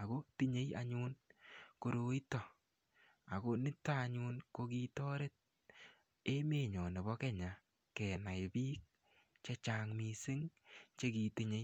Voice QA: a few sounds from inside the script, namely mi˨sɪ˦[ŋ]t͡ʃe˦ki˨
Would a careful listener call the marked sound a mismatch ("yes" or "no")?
no